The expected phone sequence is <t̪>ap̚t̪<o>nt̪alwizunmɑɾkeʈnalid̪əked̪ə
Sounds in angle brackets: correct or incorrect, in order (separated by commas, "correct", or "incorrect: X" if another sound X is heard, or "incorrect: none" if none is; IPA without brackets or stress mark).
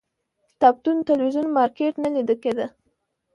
correct, incorrect: u